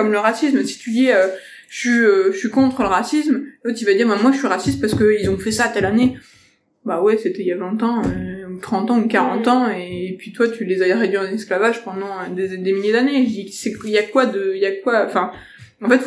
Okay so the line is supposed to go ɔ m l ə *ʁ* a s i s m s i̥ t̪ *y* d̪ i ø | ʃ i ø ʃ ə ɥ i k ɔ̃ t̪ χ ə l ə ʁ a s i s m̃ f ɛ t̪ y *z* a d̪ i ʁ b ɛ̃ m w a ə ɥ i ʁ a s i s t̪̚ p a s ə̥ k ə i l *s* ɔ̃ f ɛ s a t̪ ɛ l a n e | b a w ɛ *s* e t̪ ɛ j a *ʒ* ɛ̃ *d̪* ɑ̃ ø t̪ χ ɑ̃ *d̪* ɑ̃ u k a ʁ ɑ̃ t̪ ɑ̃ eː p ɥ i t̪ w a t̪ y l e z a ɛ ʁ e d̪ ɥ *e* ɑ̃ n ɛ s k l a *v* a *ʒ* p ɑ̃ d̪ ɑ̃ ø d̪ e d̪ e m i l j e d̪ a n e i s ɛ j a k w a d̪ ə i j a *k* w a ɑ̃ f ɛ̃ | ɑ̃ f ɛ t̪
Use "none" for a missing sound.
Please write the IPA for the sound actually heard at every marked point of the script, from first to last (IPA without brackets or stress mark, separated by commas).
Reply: ʁ, y, v, z, s, v, t̪, t̪, i, v, ʒ, k